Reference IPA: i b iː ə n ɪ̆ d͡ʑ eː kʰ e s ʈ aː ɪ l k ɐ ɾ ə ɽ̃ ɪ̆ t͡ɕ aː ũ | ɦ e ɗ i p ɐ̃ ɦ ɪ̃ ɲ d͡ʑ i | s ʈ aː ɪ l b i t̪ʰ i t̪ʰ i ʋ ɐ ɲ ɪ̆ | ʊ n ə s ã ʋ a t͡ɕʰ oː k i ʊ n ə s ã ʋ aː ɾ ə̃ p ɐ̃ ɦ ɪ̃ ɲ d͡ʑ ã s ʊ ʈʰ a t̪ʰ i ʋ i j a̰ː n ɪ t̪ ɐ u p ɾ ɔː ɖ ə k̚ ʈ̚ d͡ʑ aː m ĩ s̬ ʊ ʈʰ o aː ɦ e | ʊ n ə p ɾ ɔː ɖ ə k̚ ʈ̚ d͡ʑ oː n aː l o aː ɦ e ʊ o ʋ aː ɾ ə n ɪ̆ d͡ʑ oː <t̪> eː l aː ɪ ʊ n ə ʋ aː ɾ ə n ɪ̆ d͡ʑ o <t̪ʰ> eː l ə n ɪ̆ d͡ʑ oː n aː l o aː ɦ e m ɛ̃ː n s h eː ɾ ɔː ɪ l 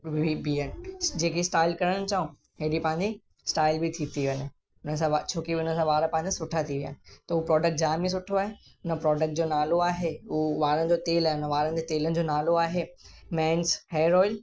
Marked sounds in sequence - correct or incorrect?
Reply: correct, incorrect: t̪

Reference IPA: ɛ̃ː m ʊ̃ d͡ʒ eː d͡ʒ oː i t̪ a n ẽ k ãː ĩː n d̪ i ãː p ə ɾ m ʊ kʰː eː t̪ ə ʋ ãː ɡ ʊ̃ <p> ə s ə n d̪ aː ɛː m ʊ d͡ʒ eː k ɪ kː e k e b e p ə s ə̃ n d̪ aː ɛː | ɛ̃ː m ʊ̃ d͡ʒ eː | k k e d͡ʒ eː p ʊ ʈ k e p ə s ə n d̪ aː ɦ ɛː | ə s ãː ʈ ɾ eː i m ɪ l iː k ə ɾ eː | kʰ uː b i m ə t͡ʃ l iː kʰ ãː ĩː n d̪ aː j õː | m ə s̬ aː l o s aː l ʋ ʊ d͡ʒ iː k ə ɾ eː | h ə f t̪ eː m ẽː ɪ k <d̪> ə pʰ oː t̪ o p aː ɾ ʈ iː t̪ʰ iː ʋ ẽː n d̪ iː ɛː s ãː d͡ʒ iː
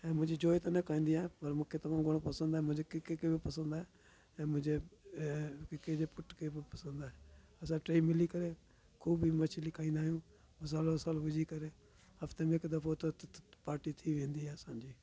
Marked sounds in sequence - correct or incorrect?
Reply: correct, correct

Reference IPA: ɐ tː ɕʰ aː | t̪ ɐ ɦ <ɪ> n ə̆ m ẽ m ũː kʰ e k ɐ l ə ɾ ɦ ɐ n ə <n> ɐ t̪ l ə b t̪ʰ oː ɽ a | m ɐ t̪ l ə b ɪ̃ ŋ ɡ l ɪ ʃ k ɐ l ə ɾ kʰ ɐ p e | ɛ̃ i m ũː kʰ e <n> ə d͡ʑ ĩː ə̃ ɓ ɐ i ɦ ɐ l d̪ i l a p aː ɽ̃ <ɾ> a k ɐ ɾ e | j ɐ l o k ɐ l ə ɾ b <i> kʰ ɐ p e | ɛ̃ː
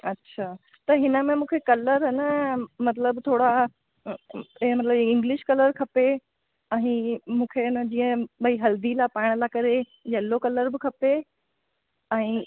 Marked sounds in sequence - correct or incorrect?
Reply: correct, incorrect: m, correct, incorrect: l, incorrect: ɪ

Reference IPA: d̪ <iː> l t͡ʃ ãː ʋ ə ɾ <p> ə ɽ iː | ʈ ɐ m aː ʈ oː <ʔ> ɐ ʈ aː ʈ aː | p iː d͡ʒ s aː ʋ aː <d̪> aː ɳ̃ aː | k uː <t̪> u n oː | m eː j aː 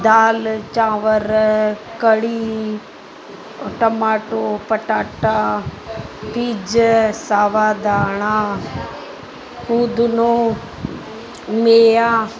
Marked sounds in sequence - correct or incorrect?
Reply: incorrect: aː, incorrect: k, incorrect: p, correct, incorrect: d̪

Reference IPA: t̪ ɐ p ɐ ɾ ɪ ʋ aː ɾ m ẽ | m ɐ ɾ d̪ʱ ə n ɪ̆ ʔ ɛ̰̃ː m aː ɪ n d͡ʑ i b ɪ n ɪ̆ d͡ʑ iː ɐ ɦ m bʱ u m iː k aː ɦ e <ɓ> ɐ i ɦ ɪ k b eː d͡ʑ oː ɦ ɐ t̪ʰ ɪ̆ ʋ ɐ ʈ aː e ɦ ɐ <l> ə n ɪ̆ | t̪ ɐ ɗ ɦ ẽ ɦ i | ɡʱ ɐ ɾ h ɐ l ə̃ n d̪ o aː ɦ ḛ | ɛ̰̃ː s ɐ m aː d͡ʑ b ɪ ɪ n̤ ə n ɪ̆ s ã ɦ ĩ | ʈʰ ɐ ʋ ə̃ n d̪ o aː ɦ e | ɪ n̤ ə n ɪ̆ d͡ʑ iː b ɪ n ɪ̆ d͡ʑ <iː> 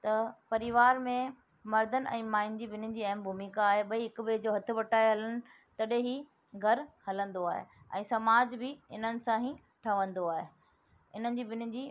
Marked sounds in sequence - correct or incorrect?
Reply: correct, correct, correct

